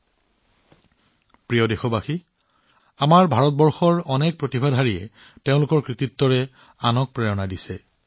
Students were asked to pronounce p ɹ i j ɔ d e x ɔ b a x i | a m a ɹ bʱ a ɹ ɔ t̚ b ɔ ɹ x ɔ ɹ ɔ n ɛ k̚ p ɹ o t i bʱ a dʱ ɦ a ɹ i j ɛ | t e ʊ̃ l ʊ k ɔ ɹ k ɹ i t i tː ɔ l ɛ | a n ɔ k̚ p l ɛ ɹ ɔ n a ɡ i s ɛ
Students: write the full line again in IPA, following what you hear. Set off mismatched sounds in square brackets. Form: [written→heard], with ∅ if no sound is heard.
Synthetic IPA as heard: p ɹ i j ɔ d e x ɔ b a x i | a m a ɹ bʱ a ɹ ɔ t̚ b ɔ ɹ x ɔ ɹ ɔ n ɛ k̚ p ɹ o t i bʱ a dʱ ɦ a ɹ i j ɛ | t e ʊ̃ l ʊ k ɔ ɹ k ɹ i t i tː ɔ [l→ɹ] ɛ | a n ɔ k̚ p [l→ɹ] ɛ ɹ ɔ n a [ɡ→d] i s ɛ